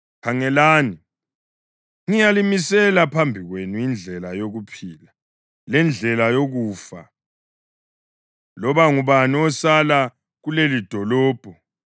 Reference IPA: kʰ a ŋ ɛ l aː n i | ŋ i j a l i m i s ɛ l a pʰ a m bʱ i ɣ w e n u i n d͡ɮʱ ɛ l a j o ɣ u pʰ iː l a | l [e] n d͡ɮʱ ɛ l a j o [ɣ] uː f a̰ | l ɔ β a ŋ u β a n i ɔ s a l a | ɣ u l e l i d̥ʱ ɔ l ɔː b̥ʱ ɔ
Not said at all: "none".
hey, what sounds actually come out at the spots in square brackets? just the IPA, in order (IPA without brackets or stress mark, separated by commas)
ɛ, ɣ